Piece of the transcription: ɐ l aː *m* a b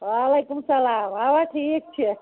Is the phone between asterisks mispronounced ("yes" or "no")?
no